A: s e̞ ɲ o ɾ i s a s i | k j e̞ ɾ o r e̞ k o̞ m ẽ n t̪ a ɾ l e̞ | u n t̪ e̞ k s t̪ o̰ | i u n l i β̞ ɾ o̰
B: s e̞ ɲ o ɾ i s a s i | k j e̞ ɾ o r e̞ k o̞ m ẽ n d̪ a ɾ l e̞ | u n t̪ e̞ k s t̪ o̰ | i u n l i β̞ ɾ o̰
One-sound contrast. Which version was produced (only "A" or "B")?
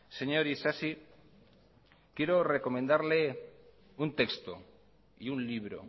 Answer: B